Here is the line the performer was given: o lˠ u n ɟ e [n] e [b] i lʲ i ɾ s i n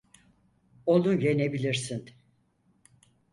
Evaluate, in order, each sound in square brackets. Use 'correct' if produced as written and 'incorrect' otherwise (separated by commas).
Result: correct, correct